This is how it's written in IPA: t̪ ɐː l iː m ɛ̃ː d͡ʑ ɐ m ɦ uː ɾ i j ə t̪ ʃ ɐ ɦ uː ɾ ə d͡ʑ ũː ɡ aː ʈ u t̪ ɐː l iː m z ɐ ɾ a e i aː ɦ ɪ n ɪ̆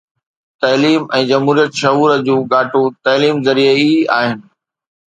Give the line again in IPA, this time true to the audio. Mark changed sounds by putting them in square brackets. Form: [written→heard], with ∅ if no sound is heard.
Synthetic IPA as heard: t̪ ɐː l iː m ɛ̃ː d͡ʑ ɐ m ɦ uː ɾ i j ə t̪ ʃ ɐ ɦ uː ɾ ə d͡ʑ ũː ɡ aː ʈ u t̪ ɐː l iː m z ɐ ɾ [a→i] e i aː ɦ ɪ n ɪ̆